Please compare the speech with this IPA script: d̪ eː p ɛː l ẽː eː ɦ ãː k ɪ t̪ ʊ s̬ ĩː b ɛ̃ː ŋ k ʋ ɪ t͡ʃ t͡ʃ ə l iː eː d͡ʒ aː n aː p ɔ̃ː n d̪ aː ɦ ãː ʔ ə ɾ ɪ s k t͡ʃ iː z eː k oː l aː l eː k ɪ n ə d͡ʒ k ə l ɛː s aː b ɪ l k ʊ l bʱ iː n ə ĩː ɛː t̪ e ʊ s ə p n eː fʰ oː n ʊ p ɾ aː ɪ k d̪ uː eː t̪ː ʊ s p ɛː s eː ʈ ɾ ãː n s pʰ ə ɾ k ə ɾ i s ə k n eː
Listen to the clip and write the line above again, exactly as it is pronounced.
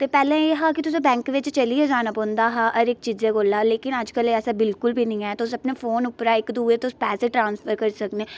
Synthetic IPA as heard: t̪ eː p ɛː l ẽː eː ɦ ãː k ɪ t̪ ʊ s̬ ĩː b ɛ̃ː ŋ k ʋ ɪ t͡ʃ t͡ʃ ə l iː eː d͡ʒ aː n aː p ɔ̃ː n d̪ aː ɦ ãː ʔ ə ɾ ɪ k t͡ʃ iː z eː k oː l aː l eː k ɪ n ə d͡ʒ k ə l ɛː s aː b ɪ l k ʊ l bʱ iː n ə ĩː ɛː t̪ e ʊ s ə p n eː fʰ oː n ʊ p ɾ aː ɪ k d̪ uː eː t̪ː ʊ s p ɛː s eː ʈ ɾ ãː n s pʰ ə ɾ k ə ɾ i s ə k n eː

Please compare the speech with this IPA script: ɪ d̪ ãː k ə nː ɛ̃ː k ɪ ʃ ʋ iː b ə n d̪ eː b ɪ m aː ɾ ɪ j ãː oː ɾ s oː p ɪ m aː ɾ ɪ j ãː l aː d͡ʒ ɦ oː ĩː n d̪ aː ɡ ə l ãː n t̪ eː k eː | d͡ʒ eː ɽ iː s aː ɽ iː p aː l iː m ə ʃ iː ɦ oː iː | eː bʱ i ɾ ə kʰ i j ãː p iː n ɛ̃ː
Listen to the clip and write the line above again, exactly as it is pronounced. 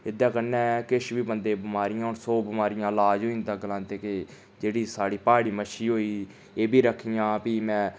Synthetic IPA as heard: ɪ d̪ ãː k ə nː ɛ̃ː k ɪ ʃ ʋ iː b ə n d̪ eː b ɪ m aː ɾ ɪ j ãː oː ɾ s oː b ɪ m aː ɾ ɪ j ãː l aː d͡ʒ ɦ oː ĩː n d̪ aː ɡ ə l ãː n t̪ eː k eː | d͡ʒ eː ɽ iː s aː ɽ iː p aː ɽ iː m ə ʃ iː ɦ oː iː | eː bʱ iː ɾ ə kʰ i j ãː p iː m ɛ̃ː

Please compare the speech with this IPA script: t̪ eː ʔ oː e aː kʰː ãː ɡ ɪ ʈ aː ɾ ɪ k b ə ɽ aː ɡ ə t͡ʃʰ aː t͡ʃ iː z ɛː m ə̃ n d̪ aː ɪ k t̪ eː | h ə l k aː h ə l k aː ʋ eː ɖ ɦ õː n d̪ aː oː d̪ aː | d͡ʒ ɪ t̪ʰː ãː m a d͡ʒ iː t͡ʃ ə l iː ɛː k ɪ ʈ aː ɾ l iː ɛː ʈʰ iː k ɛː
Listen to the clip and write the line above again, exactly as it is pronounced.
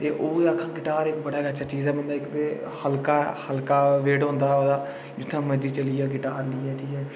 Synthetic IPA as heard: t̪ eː ʔ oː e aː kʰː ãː ɡ ɪ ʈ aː ɾ ɪ k b ə ɽ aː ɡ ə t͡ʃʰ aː t͡ʃ iː z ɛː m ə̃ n d̪ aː ɪ k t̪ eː | h ə l k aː h ə l k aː ʋ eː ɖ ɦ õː n d̪ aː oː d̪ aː | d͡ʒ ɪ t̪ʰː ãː m ə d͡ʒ iː t͡ʃ ə l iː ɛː ɡ ɪ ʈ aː ɾ l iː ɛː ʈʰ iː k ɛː

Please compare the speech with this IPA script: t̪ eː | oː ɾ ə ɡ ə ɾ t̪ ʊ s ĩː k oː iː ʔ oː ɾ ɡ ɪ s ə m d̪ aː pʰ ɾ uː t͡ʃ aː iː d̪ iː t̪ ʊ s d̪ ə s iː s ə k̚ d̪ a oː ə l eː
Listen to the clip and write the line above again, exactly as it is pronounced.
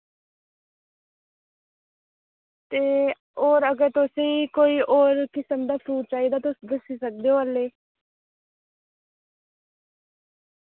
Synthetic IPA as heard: t̪ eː | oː ɾ ə ɡ ə ɾ t̪ ʊ s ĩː k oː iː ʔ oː ɾ k ɪ s ə m d̪ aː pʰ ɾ uː t͡ʃ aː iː d̪ aː t̪ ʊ s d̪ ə s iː s ə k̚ d̪ e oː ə l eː

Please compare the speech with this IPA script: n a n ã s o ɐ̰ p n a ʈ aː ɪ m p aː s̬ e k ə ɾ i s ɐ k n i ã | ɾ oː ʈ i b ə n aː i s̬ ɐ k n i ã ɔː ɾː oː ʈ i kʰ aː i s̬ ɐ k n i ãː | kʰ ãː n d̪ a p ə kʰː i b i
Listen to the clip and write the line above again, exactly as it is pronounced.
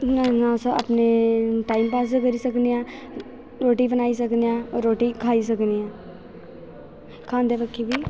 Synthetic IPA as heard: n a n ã s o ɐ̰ p n e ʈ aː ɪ m p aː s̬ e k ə ɾ i s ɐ k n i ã | ɾ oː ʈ i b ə n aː i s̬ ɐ k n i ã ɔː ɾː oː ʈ i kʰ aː i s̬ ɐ k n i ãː | kʰ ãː n d̪ e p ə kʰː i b i

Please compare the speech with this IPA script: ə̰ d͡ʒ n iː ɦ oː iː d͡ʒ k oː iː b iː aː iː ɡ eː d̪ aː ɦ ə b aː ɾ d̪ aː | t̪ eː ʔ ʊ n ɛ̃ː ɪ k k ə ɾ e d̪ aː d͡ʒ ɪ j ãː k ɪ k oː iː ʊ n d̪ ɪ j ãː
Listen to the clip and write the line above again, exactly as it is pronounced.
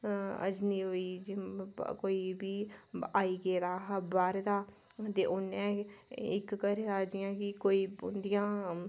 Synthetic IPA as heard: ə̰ d͡ʒ n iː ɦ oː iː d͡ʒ k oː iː b iː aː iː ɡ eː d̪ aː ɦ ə b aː ɾ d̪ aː | t̪ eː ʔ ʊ n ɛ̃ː ɪ k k ə ɾ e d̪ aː d͡ʒ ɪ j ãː k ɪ k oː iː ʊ n d̪ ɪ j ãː

